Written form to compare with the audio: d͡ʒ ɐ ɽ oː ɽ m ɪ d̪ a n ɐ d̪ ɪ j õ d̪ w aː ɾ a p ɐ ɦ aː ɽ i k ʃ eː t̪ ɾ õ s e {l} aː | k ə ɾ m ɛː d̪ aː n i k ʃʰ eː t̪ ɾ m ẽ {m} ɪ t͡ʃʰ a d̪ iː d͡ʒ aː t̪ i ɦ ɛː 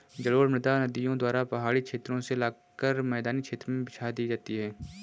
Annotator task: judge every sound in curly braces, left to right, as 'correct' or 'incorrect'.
correct, incorrect: b

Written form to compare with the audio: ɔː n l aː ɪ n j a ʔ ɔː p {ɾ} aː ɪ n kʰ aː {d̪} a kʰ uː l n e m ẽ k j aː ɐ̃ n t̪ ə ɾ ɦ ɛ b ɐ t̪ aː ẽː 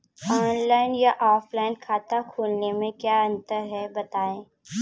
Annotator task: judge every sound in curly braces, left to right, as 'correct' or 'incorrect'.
incorrect: l, incorrect: t̪

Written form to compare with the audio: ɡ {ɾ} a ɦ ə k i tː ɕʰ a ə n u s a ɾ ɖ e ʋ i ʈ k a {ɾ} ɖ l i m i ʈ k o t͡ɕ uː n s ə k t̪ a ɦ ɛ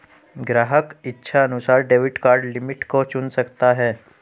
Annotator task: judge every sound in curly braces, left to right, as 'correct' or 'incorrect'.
correct, correct

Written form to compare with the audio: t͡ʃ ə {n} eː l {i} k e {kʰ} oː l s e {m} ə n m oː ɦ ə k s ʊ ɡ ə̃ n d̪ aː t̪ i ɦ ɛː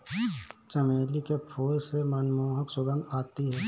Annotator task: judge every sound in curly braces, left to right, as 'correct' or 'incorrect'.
incorrect: m, correct, incorrect: pʰ, correct

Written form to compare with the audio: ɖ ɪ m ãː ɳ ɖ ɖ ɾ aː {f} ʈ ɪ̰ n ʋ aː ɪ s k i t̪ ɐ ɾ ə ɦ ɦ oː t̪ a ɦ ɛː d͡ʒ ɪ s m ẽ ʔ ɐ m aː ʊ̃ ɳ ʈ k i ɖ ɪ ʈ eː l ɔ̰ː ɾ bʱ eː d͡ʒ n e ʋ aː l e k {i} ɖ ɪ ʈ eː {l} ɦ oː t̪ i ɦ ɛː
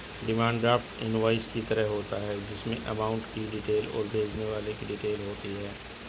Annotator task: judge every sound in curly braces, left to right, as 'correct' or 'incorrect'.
correct, correct, correct

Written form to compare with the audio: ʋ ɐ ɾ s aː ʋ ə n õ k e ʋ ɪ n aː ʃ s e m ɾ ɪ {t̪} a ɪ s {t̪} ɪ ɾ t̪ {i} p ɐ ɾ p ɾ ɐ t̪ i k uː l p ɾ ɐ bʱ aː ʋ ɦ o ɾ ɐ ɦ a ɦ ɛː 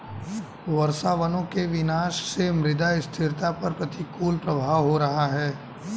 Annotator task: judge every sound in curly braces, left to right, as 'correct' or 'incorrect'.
incorrect: d̪, incorrect: t̪ʰ, incorrect: a

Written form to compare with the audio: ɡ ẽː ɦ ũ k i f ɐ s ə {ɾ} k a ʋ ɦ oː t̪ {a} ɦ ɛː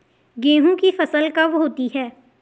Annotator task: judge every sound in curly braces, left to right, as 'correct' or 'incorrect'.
incorrect: l, incorrect: i

